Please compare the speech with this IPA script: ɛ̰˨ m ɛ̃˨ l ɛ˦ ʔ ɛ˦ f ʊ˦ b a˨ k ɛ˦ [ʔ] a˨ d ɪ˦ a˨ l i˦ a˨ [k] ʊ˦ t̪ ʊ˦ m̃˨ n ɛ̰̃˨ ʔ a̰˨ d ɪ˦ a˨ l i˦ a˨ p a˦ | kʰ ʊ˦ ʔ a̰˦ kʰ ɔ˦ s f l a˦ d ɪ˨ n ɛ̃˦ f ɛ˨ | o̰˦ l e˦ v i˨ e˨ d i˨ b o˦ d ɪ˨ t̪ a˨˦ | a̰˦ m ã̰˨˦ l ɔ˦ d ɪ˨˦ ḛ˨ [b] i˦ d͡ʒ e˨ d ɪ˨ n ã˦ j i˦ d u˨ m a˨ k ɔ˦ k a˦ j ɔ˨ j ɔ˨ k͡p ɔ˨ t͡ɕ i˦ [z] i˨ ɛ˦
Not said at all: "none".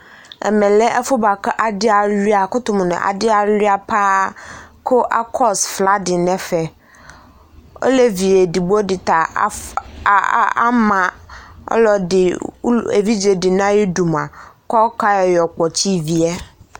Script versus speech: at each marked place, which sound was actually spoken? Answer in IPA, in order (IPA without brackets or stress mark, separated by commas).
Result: ʔ, k, v, v